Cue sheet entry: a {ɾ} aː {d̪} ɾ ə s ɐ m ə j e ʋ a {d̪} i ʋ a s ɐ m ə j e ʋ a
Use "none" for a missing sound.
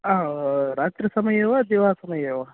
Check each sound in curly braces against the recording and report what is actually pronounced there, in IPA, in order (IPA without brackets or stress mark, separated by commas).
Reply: ɾ, t̪, d̪